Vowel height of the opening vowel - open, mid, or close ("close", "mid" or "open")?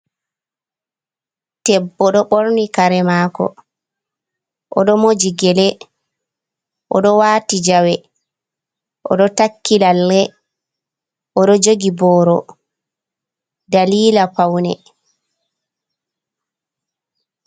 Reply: mid